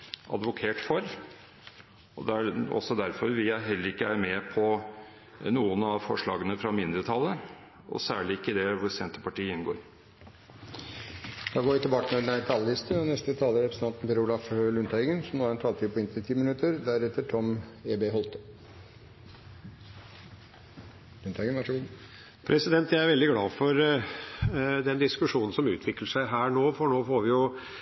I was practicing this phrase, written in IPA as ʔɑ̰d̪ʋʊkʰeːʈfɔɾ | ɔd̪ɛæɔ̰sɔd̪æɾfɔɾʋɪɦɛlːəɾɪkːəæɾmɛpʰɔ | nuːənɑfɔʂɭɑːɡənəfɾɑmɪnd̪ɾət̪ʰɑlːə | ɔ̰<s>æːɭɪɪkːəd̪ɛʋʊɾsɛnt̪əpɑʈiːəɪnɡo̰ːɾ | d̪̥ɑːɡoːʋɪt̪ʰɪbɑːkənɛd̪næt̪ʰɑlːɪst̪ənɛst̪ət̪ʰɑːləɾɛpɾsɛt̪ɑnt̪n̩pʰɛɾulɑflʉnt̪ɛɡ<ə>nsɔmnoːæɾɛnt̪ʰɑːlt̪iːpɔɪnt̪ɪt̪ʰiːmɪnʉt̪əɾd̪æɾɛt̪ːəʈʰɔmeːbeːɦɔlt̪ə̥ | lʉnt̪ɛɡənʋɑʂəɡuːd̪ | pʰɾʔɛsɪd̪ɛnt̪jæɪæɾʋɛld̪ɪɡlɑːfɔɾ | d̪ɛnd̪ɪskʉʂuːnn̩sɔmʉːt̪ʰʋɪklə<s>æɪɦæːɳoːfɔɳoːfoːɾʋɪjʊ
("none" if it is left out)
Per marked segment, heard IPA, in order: s, ə, ʂ

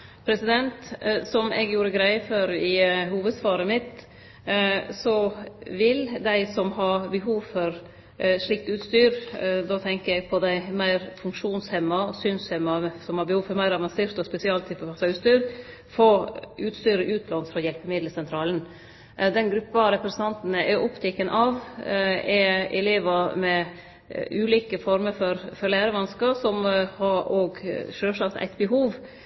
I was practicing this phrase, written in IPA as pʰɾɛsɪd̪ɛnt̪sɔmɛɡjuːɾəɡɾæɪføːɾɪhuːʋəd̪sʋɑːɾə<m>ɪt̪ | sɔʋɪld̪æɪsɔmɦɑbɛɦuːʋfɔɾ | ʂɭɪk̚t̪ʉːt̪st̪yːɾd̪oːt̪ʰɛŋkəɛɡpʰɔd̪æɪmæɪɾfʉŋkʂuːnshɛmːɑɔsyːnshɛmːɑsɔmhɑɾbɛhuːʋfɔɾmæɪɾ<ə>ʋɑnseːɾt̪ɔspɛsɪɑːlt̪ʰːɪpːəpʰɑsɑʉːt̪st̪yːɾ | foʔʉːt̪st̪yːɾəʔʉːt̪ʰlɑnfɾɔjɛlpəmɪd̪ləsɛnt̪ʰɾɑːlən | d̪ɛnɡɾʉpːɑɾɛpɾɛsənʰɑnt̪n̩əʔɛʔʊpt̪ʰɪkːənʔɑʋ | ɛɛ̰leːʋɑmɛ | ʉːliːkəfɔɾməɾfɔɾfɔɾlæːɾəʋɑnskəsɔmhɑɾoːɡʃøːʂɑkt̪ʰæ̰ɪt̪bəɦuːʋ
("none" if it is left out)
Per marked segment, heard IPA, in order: m, ɑ

